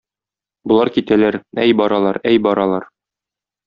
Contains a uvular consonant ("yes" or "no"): no